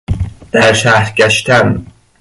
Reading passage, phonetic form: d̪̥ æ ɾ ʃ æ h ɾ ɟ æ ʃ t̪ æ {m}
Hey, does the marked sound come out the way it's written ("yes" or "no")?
no